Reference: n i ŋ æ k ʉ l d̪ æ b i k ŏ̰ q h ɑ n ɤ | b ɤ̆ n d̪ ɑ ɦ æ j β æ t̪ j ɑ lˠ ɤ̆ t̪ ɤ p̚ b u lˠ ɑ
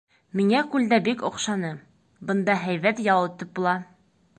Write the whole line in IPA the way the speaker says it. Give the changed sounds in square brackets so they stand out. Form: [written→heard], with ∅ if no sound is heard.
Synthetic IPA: [n→m] i ŋ æ k ʉ l d̪ æ b i k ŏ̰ q [h→ʃ] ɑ n ɤ | b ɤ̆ n d̪ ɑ ɦ æ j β æ t̪ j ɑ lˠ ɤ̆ t̪ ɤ p̚ b u lˠ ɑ